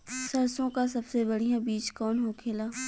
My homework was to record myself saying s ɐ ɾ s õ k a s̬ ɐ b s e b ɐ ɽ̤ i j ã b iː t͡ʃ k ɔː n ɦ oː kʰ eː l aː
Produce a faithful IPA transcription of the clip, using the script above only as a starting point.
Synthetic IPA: s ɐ ɾ s õ k a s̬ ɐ b s e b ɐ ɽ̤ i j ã b iː t͡ʃ k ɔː n ɦ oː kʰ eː l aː